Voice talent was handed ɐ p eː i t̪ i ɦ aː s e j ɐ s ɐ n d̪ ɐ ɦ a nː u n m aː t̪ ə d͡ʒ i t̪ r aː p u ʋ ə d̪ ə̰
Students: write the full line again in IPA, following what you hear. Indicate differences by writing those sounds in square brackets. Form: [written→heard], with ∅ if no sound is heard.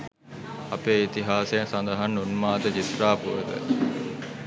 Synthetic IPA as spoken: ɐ p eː i t̪ i ɦ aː s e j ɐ s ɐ n d̪ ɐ ɦ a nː u n m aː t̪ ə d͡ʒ i t̪ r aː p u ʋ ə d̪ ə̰